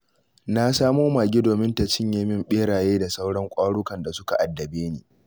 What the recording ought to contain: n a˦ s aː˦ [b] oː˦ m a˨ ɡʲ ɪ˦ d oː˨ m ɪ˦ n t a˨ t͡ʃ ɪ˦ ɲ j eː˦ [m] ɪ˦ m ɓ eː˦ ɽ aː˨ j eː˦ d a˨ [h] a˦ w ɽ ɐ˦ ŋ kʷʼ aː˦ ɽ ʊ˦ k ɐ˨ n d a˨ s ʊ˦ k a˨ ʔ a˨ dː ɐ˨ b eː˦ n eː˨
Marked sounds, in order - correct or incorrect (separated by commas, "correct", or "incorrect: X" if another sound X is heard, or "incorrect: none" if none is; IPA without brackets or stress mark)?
incorrect: m, correct, incorrect: s